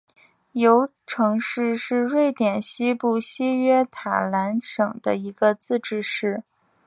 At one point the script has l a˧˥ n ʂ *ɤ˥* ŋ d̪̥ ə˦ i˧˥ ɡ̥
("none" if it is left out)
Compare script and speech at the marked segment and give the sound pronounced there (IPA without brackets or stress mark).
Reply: ɤ˨˩